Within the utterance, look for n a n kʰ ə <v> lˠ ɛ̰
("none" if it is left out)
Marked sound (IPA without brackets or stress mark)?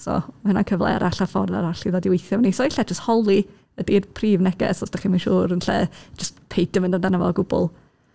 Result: v